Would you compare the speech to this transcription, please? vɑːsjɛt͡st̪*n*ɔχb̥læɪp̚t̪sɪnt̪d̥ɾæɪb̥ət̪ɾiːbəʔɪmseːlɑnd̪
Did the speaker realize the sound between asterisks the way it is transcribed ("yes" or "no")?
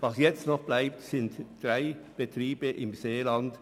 yes